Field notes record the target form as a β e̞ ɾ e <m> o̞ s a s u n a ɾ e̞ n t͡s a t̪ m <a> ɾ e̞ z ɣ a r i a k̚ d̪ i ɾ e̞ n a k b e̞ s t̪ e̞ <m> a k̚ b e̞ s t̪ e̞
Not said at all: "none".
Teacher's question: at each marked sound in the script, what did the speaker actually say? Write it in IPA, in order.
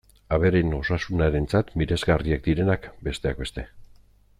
n, i, none

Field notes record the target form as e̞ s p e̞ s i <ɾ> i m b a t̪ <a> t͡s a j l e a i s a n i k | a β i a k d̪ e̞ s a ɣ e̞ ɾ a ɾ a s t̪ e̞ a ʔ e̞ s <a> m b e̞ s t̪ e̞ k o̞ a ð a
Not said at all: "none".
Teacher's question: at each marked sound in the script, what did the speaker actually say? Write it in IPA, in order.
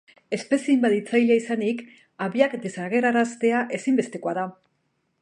none, i, i

